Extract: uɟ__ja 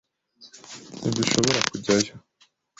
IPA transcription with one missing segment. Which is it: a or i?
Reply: a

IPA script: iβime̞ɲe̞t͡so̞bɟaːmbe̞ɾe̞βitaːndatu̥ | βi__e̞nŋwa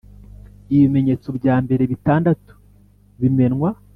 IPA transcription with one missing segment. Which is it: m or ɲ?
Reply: m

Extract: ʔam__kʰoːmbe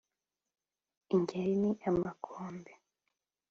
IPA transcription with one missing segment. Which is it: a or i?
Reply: a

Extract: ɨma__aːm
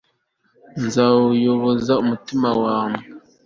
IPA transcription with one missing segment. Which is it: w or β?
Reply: w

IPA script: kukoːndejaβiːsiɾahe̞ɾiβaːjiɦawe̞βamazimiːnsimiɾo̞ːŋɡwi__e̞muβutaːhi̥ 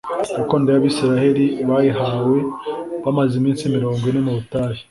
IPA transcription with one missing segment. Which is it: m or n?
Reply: n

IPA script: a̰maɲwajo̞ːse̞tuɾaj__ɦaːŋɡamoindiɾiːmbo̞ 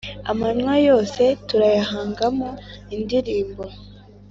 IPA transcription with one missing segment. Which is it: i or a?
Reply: a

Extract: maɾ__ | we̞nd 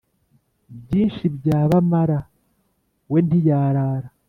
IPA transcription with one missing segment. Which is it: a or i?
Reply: a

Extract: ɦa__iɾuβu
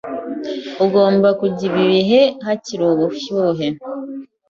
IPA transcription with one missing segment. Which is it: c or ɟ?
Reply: c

